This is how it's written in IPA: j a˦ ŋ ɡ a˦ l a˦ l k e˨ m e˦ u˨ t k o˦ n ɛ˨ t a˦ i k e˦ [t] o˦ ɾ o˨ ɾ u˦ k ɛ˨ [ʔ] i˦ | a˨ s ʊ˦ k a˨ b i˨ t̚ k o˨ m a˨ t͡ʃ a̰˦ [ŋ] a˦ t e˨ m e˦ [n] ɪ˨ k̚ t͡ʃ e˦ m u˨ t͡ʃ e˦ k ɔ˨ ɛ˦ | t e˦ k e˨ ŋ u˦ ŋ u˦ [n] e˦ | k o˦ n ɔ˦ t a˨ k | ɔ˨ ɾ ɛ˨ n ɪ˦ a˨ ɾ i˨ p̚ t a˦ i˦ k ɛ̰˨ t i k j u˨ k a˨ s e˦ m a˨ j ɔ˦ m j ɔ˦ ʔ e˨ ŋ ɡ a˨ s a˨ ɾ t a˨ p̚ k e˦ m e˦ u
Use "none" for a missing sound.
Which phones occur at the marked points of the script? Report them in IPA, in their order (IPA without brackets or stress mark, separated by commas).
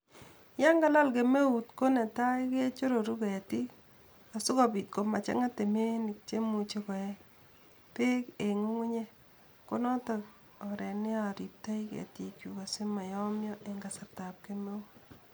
t͡ʃ, t, ŋ, n, ɲ